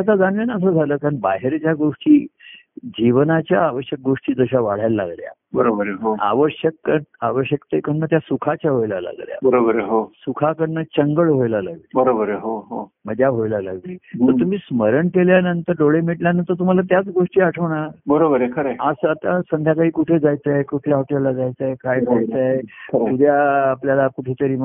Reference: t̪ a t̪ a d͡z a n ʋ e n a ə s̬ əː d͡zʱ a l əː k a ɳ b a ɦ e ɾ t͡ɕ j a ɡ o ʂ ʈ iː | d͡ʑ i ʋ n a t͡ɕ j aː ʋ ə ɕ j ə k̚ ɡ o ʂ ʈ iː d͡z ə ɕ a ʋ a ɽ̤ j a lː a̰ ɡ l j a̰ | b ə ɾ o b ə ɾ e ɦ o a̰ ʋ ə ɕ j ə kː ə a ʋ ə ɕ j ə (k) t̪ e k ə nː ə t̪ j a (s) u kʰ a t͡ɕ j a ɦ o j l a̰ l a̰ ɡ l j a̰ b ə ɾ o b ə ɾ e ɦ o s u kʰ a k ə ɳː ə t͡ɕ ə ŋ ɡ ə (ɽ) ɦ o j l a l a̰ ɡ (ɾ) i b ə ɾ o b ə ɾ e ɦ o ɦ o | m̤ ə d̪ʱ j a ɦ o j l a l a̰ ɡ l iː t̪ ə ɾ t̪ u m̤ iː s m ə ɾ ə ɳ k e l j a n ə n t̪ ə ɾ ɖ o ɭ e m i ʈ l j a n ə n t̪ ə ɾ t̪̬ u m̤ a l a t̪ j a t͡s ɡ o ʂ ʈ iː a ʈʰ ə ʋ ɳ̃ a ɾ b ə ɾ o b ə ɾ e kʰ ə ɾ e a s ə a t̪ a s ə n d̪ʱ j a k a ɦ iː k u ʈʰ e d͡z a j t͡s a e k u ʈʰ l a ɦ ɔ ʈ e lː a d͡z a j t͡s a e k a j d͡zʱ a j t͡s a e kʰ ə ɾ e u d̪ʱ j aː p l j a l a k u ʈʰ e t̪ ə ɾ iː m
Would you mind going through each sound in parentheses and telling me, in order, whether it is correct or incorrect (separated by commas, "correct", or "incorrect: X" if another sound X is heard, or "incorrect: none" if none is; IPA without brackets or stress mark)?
correct, correct, incorrect: ɭ, incorrect: l